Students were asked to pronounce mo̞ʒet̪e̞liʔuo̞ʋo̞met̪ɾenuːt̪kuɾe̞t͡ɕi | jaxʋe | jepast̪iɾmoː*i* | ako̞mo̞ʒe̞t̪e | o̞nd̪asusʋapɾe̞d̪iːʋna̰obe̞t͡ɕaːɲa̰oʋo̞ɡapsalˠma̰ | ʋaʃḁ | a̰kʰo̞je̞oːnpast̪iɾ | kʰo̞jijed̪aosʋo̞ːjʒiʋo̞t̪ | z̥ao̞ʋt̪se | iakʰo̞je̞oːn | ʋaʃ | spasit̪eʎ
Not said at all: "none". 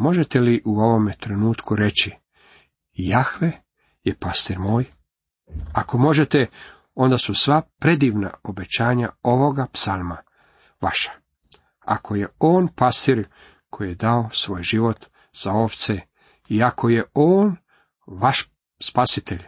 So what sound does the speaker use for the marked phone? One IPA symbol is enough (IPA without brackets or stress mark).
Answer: j